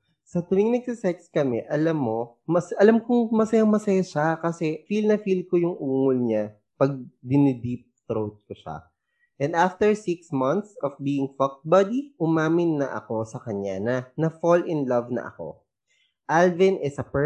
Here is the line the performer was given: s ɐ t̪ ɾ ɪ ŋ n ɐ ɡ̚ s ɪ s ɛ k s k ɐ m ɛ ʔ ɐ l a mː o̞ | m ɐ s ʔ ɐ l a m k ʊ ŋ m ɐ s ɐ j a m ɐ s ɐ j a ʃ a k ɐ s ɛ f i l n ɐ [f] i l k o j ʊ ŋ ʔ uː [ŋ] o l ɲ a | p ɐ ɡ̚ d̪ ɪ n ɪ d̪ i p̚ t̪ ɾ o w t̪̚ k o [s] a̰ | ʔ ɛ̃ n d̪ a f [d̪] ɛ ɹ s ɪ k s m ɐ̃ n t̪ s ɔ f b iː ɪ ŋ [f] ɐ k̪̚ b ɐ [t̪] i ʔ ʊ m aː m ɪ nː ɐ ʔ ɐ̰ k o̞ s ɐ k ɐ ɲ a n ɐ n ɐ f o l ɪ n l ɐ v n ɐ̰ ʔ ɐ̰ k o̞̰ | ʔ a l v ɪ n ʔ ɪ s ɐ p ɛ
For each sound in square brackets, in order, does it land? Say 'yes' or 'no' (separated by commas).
yes, yes, no, no, yes, no